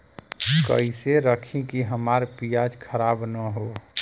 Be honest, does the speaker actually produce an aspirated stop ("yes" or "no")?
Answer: yes